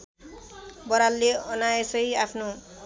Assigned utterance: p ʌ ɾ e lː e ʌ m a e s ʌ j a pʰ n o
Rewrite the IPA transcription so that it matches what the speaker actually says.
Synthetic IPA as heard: b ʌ ɾ a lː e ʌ n a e s ʌ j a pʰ n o